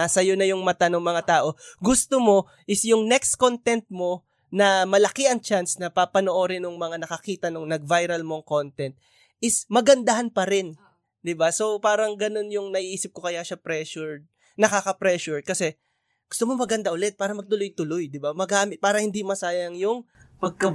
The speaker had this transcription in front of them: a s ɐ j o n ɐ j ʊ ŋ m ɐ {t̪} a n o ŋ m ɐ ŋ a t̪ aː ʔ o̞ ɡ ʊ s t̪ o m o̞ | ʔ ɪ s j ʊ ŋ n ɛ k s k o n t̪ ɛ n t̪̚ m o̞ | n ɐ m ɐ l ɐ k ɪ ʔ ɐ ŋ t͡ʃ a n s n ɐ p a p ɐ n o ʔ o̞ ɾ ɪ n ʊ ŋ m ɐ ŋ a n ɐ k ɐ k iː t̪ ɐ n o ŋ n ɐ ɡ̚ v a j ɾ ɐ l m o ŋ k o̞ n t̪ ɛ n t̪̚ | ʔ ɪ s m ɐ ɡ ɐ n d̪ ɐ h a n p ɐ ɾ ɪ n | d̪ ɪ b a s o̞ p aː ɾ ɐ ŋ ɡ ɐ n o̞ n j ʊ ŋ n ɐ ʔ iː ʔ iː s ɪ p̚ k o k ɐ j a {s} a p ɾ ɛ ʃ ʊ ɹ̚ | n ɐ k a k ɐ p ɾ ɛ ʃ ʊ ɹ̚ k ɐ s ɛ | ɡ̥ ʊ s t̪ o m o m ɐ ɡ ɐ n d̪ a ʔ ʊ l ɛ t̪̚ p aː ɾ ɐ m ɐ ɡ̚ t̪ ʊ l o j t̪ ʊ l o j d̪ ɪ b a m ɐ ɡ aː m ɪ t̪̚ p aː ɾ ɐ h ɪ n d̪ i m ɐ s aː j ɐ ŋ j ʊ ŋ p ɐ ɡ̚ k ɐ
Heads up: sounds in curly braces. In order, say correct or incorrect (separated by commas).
correct, incorrect